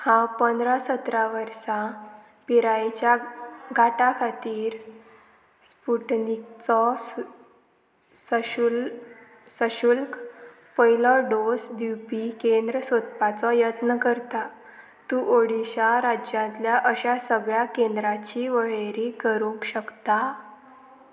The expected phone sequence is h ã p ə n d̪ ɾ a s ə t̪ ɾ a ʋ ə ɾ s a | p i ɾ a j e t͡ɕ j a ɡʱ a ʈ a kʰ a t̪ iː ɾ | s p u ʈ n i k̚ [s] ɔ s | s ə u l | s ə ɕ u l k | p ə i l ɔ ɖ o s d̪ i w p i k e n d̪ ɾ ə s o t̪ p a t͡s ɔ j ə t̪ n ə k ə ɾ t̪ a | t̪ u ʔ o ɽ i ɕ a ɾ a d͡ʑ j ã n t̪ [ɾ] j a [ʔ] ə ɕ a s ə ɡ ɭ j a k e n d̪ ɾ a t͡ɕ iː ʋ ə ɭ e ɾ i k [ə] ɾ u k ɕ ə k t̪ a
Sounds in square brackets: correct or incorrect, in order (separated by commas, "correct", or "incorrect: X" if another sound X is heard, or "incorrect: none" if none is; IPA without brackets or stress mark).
incorrect: t͡s, incorrect: l, correct, correct